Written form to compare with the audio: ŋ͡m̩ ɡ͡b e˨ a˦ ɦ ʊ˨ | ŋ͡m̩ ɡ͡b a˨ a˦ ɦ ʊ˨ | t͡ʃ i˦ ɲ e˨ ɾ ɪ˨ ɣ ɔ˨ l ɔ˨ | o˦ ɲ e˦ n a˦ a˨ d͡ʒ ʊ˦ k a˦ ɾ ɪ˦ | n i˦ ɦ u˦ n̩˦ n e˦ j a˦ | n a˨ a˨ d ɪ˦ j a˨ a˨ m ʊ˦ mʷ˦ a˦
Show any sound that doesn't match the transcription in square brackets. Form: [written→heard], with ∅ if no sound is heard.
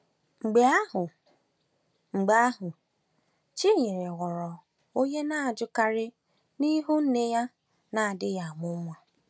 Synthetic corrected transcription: ŋ͡m̩ ɡ͡b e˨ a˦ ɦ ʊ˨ | ŋ͡m̩ ɡ͡b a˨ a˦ ɦ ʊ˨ | t͡ʃ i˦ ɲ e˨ ɾ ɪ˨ ɣ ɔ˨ [l→ɾ] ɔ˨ | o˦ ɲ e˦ n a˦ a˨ d͡ʒ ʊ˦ k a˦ ɾ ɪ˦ | n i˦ ɦ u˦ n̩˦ n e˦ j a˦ | n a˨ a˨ d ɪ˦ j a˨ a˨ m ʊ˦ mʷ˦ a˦

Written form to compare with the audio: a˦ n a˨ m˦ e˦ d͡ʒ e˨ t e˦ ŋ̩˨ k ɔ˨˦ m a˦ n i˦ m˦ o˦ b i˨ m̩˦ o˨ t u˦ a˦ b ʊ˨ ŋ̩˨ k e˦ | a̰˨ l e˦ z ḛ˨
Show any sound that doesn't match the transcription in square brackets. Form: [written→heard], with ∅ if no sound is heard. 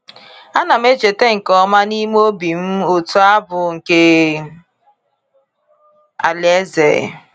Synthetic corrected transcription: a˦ n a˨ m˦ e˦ d͡ʒ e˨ t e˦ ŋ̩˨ k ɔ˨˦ m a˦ n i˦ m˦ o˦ b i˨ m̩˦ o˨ t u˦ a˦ b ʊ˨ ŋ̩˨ k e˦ | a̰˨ l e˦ z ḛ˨

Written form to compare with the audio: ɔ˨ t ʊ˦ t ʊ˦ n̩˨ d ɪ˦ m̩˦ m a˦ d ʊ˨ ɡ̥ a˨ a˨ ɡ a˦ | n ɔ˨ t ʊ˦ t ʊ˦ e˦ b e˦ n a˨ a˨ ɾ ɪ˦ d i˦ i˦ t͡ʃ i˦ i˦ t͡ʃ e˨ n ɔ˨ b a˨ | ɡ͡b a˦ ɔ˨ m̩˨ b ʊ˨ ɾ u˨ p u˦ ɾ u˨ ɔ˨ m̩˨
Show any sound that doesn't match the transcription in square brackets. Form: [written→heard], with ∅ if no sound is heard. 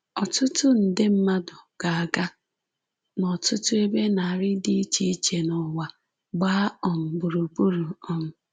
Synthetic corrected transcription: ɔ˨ t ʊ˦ t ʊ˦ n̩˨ d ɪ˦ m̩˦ m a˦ d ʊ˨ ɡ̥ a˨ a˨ ɡ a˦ | n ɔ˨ t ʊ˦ t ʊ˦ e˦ b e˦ n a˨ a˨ ɾ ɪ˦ d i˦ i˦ t͡ʃ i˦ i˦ t͡ʃ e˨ n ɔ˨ [b→w] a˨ | ɡ͡b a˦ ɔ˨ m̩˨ b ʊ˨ ɾ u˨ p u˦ ɾ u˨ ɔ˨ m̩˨

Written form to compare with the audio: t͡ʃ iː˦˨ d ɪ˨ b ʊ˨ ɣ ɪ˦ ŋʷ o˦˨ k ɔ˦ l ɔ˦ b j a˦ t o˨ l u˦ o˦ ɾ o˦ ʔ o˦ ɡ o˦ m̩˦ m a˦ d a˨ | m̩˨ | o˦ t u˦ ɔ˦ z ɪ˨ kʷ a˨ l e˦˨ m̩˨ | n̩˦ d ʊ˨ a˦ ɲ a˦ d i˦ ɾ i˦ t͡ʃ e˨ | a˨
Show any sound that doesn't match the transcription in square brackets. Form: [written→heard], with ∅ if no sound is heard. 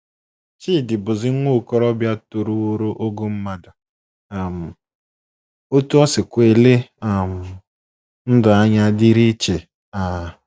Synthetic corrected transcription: t͡ʃ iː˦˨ d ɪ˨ b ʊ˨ [ɣ→z] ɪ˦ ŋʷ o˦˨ k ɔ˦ [l→ɾ] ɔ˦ b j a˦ t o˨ [l→ɾ] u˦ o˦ ɾ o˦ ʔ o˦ ɡ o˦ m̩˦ m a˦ d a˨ | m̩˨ | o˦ t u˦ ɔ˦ [z→s] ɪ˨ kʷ [a˨→e˨] l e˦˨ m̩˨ | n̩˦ d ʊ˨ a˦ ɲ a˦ d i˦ ɾ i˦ t͡ʃ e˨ | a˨

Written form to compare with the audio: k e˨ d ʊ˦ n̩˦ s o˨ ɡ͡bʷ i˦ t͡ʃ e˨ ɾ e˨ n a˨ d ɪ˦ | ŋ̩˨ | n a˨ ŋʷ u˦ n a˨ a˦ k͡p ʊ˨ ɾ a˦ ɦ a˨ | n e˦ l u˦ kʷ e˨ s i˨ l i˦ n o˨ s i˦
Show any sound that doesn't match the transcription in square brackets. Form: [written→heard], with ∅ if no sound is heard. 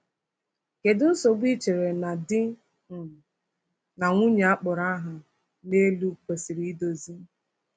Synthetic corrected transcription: k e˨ d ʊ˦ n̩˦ s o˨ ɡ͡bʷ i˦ t͡ʃ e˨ ɾ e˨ n a˨ d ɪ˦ | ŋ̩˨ | n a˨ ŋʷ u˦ [n→ɲ] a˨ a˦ k͡p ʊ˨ ɾ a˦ ɦ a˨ | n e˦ l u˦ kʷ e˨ s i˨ [l→ɾ] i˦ [n→d] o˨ [s→z] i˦

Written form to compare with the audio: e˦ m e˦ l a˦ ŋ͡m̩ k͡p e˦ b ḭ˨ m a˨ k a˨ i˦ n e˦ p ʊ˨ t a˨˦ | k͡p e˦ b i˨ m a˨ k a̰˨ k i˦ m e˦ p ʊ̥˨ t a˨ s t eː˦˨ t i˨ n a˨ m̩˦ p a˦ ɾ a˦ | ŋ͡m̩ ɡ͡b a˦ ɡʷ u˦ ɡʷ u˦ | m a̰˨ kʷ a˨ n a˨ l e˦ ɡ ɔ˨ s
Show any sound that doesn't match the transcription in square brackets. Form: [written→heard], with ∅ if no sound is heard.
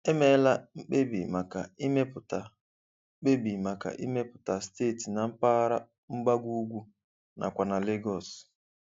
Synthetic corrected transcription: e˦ m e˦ l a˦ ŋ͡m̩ k͡p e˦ b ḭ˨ m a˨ k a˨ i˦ [n→m] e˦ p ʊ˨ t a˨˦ | k͡p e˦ b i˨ m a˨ k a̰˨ [k→ʔ] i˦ m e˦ p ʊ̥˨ t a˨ s t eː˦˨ t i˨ n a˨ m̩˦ p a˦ ɾ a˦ | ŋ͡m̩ ɡ͡b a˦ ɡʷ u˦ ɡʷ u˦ | [m→n] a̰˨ kʷ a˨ n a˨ l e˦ ɡ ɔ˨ s

